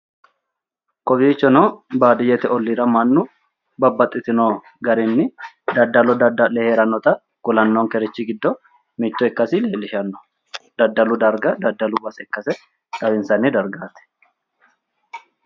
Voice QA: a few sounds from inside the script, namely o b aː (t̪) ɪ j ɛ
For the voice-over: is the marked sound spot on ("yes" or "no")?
no